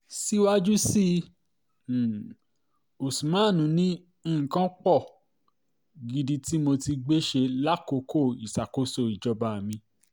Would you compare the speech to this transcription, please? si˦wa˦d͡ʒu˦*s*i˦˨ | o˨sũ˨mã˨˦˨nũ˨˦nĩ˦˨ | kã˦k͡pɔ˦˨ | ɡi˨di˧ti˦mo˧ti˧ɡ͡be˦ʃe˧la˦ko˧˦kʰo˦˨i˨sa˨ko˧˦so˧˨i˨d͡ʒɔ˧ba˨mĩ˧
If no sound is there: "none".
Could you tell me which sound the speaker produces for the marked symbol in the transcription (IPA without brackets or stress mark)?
s